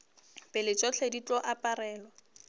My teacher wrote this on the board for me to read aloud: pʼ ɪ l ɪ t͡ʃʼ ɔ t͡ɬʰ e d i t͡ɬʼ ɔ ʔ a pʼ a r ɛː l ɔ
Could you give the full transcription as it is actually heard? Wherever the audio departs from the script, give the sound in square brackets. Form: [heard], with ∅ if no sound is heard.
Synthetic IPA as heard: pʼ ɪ l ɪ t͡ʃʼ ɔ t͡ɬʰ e d i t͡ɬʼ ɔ ʔ a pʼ a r ɛː l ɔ